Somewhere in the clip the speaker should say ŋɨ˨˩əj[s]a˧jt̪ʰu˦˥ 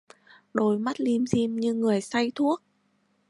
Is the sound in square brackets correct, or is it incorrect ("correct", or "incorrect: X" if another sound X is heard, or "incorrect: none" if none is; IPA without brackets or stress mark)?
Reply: correct